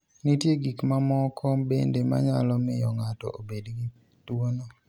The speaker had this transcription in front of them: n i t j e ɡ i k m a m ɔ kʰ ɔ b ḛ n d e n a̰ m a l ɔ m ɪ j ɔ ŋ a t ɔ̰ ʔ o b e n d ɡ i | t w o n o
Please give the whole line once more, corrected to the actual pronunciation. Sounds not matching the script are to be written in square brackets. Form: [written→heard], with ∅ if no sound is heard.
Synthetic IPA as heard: n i t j e ɡ i k m a m ɔ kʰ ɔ b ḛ n d e [n→m] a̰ [m→ɲ] a l ɔ m ɪ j ɔ ŋ a t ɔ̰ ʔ o b e [n→∅] d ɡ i | t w o n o